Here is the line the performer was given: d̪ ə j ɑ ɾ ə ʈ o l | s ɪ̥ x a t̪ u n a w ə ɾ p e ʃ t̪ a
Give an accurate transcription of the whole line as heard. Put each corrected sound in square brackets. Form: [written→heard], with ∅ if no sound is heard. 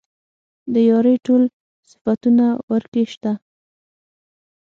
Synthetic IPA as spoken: d̪ ə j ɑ ɾ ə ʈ o l | s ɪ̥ [x→f] a t̪ u n a w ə ɾ [p→k] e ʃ t̪ a

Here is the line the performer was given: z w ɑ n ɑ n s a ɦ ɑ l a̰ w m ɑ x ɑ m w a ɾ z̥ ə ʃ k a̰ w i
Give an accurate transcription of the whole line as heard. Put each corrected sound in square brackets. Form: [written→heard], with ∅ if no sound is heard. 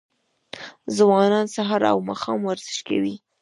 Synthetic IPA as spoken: z w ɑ n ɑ n s a ɦ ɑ [l→ɾ] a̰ w m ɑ x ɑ m w a ɾ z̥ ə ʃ k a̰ w i

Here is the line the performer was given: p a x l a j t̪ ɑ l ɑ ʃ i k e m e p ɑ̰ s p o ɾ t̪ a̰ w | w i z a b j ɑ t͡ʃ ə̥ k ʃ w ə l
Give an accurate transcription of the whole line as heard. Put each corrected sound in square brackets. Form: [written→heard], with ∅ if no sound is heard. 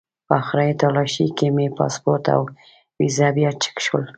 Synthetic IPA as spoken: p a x [l→ɾ] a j t̪ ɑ l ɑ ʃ i k e m e p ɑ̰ s p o ɾ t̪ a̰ w | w i z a b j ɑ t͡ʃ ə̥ k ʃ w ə l

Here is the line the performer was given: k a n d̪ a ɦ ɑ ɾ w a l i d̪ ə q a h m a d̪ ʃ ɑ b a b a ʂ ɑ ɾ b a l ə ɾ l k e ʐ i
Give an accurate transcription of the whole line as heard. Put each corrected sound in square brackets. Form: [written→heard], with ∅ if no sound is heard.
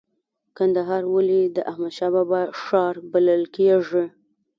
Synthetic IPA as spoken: k a n d̪ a ɦ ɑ ɾ w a l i d̪ ə [q→ʔ] a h m a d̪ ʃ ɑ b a b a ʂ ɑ ɾ b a l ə [ɾ→∅] l k e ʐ i

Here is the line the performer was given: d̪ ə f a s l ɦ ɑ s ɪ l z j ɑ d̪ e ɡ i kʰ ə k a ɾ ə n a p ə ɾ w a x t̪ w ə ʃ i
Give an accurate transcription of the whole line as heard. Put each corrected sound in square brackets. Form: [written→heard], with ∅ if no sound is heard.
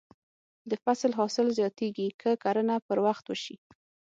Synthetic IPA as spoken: d̪ ə f a s l ɦ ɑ s ɪ l z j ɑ [d̪→t̪] e ɡ i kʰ ə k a ɾ ə n a p ə ɾ w a x t̪ w ə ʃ i

